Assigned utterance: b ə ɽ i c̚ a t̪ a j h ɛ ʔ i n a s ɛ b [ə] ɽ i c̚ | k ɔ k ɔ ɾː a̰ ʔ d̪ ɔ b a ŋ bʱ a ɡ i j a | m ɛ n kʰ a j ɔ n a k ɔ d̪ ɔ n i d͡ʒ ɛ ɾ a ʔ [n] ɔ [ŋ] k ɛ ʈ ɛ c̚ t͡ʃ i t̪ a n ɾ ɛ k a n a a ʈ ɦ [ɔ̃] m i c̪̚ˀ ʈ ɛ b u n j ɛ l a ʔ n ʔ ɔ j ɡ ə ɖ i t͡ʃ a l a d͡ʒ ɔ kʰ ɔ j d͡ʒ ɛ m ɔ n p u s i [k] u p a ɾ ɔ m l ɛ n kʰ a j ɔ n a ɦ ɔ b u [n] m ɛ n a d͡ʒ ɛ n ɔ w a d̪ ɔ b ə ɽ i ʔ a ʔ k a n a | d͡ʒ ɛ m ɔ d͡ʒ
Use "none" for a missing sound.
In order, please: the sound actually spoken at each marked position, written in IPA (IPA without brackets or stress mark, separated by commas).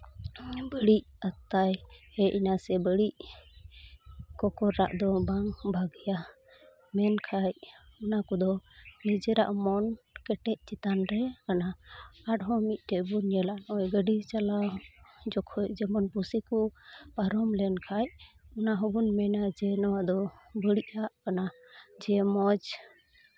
ə, m, n, ɔ, k, n